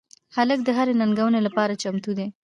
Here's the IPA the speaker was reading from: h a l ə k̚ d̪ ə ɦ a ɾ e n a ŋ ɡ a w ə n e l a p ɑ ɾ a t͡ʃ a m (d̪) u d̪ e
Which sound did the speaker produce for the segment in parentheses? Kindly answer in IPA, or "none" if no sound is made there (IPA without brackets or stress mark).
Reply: t̪